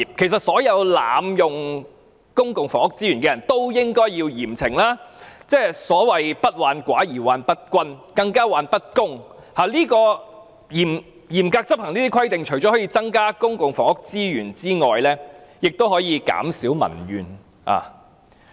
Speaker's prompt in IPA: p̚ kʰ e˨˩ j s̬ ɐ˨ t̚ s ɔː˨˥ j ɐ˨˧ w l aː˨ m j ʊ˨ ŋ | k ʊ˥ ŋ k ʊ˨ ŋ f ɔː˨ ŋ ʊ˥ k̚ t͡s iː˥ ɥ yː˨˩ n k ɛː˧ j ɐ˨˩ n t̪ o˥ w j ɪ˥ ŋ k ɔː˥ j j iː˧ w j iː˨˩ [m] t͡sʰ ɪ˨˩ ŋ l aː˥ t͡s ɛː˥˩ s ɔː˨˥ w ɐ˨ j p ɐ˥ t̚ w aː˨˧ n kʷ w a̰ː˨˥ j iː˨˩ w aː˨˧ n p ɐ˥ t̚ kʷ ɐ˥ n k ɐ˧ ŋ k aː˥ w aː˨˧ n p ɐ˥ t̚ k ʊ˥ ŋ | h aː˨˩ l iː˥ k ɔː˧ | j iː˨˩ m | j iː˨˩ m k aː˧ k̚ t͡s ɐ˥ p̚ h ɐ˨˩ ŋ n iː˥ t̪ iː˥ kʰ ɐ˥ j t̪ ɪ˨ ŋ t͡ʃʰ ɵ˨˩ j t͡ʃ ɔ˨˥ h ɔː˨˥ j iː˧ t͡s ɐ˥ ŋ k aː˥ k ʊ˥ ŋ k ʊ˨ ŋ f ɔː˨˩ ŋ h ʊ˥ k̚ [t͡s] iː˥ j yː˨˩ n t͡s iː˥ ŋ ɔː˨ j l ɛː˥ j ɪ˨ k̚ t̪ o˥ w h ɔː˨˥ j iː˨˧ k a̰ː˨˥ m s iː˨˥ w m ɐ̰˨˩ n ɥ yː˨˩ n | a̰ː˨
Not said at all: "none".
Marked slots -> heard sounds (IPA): m, t͡s

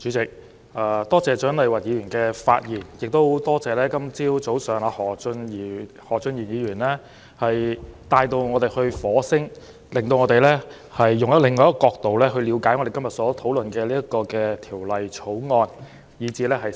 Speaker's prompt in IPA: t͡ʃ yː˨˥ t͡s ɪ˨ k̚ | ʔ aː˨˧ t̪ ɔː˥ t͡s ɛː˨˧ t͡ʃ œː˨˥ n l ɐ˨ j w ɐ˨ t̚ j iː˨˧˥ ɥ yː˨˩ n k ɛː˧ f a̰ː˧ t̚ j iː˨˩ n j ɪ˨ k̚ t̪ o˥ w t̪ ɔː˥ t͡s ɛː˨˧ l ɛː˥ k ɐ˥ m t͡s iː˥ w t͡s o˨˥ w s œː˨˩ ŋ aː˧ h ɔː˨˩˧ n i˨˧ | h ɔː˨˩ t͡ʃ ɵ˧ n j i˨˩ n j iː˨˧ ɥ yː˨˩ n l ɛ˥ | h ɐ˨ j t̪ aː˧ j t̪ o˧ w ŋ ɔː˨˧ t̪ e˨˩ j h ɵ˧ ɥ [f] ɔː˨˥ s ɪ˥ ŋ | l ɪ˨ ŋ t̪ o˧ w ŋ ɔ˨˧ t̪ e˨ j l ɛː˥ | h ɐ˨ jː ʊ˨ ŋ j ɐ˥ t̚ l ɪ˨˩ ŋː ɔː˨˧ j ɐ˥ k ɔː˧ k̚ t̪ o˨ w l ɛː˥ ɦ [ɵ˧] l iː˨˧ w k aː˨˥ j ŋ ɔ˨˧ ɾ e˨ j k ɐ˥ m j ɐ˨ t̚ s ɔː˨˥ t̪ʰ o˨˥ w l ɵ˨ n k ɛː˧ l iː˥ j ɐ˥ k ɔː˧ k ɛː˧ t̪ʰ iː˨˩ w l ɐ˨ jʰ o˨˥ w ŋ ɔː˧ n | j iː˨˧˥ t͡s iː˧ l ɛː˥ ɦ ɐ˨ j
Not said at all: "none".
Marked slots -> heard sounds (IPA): f, ɵ˧

